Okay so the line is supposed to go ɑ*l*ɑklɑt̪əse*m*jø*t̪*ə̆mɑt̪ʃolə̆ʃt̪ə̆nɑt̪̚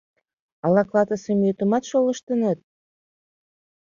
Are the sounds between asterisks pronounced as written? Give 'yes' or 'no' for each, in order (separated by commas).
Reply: yes, yes, yes